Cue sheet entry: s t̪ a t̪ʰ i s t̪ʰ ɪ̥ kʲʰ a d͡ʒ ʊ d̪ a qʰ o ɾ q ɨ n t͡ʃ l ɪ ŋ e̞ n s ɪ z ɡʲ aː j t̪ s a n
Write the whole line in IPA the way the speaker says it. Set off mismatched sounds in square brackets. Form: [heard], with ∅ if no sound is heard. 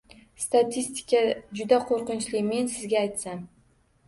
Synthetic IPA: s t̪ a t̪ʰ i s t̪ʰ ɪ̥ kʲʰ a d͡ʒ ʊ d̪ a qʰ o ɾ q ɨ n t͡ʃ l ɪ [m] e̞ n s ɪ z ɡʲ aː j t̪ s a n